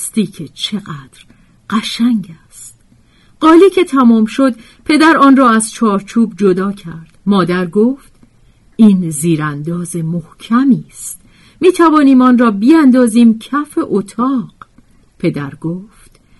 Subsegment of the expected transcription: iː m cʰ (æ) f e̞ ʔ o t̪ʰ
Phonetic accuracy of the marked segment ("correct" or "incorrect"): correct